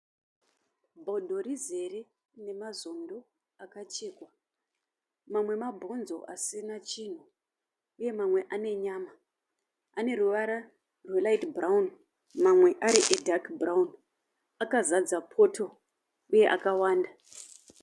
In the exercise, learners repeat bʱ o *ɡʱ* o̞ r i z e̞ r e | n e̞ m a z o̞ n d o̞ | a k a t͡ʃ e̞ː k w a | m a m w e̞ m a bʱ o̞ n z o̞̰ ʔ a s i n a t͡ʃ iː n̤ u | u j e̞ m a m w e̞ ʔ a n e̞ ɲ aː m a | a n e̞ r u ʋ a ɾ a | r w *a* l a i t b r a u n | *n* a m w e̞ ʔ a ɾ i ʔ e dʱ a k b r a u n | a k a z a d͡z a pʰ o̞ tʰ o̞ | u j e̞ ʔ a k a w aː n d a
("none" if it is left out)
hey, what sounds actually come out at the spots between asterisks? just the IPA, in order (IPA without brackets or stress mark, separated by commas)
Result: dʱ, e, m